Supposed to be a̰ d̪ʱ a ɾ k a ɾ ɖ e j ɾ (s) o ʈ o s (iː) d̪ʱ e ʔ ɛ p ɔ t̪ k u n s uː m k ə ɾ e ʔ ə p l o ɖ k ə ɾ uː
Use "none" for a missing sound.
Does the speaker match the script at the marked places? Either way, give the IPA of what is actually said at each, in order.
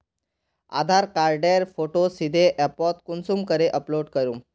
f, i

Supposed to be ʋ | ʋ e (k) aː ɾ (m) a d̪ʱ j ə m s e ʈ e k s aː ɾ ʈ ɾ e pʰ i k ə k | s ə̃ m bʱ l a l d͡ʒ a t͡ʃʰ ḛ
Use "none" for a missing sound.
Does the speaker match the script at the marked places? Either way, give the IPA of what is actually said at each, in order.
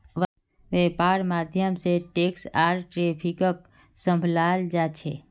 p, m

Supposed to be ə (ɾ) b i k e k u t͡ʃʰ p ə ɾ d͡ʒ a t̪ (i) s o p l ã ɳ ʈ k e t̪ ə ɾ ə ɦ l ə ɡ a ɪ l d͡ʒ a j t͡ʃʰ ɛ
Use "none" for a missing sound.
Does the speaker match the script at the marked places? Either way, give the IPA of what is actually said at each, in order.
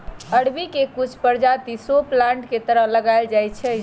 ɽ, i

